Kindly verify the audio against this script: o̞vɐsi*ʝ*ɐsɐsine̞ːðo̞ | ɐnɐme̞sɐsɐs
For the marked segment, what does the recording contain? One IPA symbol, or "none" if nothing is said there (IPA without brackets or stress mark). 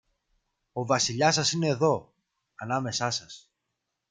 ʎ